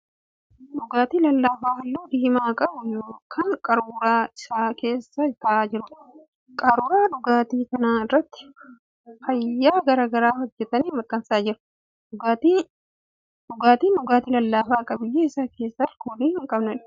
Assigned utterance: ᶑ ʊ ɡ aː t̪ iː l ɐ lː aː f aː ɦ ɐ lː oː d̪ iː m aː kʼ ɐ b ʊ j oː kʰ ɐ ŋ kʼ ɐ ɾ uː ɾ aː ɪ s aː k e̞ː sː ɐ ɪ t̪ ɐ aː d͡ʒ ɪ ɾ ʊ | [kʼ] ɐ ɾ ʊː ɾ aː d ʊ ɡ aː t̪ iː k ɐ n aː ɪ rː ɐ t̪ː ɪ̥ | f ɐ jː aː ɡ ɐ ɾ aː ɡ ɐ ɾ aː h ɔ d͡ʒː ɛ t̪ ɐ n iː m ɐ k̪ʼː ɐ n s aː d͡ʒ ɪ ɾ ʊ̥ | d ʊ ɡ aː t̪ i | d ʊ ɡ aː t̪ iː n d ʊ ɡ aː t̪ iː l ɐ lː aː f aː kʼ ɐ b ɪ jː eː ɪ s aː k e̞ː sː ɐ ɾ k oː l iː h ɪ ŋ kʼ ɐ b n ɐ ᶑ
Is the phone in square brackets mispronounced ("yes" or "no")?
no